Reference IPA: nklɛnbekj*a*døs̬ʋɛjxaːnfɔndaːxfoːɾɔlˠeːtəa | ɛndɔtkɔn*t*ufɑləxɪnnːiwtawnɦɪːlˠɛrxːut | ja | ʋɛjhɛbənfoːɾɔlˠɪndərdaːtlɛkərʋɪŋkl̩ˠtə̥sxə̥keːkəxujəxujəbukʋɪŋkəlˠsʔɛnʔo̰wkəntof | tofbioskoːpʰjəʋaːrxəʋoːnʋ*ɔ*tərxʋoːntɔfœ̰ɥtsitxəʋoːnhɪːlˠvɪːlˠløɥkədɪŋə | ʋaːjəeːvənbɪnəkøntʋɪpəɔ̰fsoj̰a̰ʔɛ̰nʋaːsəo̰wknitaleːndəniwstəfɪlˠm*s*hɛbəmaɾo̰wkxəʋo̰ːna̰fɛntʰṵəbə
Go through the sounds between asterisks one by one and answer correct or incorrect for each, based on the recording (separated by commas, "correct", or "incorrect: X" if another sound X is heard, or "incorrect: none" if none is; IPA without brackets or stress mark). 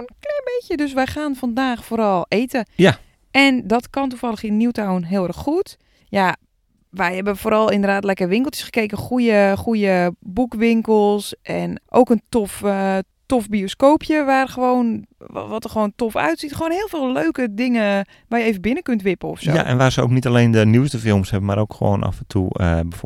incorrect: ə, correct, correct, correct